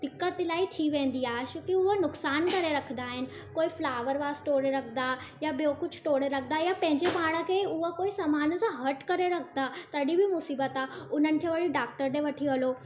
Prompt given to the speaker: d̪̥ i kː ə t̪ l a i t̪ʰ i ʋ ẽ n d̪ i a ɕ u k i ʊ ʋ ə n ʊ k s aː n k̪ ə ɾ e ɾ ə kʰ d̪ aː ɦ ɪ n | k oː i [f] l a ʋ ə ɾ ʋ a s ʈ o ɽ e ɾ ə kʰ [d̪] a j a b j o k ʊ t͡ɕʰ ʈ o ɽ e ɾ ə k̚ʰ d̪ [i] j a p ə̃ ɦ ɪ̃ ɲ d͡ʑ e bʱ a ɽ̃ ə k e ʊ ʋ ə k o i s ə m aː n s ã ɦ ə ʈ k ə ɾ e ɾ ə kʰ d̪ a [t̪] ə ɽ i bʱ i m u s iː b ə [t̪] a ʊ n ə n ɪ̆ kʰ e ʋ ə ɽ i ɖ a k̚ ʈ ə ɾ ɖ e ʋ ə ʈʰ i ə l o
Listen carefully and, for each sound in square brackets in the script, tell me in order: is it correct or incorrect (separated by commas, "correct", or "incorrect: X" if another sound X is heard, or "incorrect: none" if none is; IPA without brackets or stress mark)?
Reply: correct, correct, incorrect: a, correct, correct